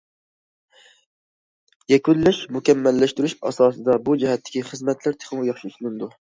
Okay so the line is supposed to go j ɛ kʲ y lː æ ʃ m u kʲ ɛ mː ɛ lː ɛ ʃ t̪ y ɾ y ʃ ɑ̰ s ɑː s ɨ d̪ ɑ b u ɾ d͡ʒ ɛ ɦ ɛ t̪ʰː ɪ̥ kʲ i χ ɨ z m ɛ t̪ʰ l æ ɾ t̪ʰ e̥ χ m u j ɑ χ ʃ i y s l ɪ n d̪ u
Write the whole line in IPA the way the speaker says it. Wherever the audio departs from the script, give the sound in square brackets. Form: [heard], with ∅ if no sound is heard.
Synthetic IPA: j ɛ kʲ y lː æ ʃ m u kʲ ɛ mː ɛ lː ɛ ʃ t̪ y ɾ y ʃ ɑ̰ s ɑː s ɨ d̪ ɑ b u [∅] d͡ʒ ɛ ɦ ɛ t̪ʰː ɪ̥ kʲ i χ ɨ z m ɛ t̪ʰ l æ ɾ t̪ʰ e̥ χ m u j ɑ χ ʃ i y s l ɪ n d̪ u